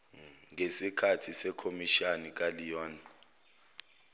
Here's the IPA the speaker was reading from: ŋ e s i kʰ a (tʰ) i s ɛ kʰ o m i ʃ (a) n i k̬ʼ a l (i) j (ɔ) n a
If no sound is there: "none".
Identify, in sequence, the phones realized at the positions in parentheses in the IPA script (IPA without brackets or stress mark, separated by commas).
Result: tʰ, a, i, ɔː